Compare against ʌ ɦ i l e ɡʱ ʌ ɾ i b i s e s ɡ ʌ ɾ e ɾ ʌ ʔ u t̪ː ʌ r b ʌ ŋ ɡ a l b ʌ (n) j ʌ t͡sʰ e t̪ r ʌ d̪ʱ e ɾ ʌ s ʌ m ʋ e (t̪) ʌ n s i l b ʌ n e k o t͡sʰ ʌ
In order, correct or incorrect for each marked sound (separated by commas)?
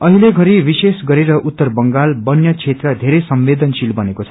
correct, incorrect